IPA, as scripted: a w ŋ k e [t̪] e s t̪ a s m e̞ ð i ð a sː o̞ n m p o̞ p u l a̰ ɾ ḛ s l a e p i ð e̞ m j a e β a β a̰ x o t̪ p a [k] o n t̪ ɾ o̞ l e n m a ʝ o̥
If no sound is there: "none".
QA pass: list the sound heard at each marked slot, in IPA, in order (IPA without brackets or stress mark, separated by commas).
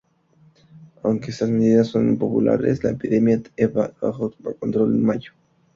none, k